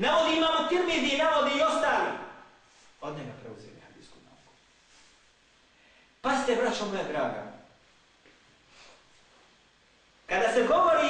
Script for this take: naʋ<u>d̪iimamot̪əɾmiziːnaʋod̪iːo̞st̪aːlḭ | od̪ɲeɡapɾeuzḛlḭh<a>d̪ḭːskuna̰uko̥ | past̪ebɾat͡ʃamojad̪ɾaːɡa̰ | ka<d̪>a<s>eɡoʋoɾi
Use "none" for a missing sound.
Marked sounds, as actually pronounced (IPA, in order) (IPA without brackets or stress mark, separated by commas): o, a, d̪, s